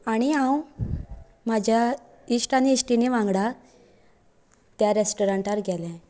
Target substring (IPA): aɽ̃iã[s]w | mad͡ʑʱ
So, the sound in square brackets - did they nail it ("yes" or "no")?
no